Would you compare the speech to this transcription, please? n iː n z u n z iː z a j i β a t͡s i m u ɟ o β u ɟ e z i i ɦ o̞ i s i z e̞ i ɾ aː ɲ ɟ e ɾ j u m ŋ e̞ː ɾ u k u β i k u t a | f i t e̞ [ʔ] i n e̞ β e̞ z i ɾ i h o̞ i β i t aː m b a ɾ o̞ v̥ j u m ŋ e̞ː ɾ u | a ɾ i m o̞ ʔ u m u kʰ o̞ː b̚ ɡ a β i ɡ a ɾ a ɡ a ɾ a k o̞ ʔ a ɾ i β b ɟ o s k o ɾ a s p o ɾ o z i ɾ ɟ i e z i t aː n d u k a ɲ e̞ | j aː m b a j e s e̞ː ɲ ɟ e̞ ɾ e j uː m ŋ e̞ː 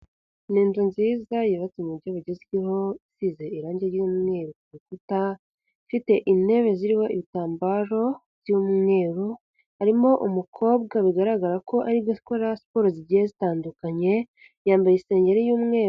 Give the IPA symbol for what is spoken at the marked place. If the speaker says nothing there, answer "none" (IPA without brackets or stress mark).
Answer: ʔ